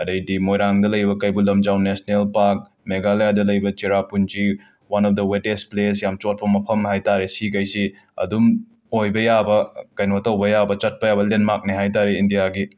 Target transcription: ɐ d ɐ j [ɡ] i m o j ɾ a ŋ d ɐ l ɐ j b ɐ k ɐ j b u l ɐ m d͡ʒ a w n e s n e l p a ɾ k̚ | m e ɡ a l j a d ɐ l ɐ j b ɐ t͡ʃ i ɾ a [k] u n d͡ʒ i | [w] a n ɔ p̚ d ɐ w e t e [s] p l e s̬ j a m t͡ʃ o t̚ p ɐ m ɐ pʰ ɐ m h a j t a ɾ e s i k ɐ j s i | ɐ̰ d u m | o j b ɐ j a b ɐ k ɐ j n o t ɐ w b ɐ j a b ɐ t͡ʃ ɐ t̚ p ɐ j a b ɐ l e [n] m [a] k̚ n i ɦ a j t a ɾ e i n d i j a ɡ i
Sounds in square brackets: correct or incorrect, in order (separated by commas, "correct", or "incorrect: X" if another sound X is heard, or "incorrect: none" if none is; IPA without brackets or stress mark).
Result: incorrect: d, incorrect: p, correct, correct, correct, correct